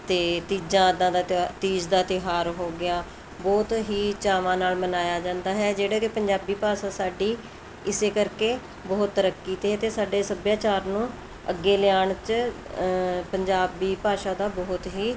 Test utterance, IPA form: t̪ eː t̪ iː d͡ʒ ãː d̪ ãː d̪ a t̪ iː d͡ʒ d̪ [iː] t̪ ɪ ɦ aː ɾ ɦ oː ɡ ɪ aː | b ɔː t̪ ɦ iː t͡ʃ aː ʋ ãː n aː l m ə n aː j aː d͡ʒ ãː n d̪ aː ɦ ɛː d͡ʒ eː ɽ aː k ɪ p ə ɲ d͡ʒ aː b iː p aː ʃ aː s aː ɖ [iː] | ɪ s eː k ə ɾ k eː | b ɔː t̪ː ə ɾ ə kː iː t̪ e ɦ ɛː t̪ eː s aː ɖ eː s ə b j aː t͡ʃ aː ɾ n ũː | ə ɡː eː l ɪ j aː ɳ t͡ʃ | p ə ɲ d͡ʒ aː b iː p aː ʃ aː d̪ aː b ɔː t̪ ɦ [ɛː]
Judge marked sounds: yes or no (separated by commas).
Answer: no, yes, no